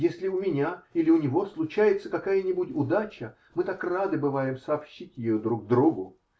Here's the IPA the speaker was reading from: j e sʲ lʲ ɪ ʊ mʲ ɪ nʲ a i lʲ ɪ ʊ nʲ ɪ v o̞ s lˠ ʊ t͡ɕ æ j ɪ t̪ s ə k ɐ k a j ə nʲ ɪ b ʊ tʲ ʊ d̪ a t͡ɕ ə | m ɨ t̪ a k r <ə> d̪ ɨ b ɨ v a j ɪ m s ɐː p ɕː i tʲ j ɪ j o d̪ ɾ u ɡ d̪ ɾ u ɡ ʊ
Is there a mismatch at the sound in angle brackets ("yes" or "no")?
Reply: yes